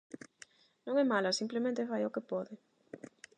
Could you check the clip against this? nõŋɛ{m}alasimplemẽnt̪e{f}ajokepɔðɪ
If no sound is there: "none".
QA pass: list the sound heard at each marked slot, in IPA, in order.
m, f

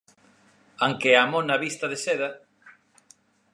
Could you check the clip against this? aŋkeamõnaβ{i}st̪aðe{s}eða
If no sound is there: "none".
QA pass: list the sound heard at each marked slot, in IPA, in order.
i, s

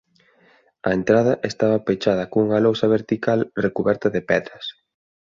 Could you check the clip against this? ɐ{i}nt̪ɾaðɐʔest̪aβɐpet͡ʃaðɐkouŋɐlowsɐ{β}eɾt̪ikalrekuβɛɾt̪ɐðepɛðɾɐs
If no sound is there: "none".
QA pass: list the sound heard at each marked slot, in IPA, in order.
e, β

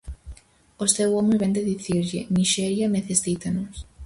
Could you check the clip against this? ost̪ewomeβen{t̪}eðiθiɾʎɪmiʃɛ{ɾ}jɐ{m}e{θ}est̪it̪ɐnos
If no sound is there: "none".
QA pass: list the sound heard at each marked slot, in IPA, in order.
d̪, ɾ, m, θ

